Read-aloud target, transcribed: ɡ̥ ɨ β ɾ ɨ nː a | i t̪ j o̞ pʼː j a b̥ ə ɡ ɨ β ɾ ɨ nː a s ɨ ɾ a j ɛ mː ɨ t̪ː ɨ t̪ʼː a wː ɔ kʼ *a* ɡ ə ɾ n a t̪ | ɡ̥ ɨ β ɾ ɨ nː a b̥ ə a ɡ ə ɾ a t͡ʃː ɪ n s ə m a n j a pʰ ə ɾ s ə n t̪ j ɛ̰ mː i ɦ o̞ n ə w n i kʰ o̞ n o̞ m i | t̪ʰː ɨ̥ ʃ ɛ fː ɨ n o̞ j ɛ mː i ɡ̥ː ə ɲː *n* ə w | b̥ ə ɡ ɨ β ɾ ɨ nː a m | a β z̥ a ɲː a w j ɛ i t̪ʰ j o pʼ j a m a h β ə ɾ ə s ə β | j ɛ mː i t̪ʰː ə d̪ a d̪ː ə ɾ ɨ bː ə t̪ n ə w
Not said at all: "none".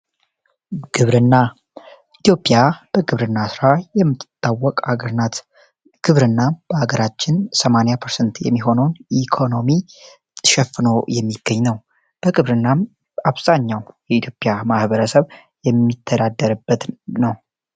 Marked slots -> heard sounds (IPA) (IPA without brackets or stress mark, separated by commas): a, n